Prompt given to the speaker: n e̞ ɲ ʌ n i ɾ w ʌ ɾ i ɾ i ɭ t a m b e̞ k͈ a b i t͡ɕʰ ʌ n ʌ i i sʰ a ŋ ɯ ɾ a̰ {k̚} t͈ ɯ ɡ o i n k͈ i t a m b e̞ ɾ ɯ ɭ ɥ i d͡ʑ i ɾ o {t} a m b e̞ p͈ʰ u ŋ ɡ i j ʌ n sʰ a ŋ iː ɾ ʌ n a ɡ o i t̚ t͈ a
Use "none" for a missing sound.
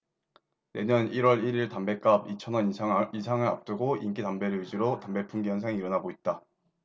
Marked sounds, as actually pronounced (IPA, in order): p̚, t

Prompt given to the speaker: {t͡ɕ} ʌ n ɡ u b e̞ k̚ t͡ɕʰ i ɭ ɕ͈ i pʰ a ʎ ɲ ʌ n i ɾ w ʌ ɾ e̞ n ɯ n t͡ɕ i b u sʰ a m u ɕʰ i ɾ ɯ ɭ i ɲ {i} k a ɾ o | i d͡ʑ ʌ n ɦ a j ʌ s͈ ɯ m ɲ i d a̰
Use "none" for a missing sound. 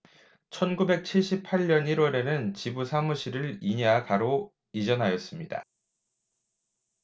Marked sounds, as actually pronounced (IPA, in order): t͡ɕʰ, a

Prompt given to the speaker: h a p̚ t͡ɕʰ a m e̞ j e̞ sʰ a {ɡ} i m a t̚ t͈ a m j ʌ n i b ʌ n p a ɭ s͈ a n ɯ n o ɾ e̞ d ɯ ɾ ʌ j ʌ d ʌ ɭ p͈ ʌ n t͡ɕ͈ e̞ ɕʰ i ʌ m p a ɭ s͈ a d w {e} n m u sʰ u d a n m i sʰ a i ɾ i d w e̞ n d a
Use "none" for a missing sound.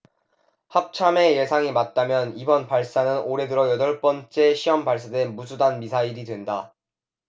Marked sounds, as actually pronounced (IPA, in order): ŋ, e

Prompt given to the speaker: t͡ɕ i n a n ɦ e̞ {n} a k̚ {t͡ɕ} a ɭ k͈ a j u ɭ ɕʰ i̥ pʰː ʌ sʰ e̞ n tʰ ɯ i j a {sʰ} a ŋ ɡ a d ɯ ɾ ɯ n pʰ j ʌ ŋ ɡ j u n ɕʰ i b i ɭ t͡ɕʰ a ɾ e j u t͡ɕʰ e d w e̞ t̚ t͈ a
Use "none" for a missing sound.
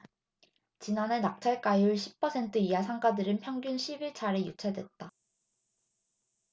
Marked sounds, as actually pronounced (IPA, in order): n, t͡ɕʰ, sʰ

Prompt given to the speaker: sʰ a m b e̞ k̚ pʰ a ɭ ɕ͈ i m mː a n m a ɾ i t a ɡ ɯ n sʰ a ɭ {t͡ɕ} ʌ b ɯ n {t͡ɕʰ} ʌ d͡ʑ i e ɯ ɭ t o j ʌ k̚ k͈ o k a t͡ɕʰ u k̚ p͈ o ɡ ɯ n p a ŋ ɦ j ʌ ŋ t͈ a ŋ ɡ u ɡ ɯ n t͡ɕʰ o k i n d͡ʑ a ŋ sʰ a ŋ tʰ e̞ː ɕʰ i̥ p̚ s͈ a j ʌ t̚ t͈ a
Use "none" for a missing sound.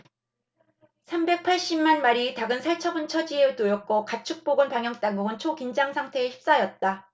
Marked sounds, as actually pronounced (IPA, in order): t͡ɕʰ, t͡ɕʰ

